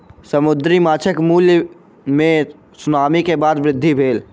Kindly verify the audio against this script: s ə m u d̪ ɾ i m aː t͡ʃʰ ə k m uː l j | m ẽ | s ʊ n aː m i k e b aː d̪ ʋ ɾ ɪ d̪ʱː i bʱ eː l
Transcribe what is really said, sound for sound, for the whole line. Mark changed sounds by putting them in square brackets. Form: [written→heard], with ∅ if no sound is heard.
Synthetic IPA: s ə m [u→ʊ] d̪ ɾ i m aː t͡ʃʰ ə k m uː l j | m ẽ | s ʊ n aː m i k e b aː d̪ ʋ ɾ ɪ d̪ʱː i bʱ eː l

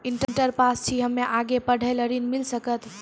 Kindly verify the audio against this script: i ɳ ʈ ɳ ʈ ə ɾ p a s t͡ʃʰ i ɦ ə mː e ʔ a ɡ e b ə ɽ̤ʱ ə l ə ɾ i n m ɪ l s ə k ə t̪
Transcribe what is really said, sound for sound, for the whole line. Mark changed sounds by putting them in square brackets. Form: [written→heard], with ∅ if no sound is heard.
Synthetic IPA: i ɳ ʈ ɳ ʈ ə ɾ p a s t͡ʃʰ i ɦ ə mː e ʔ a ɡ e [b→p] ə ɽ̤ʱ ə l ə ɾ i n m [ɪ→i] l s ə k ə t̪

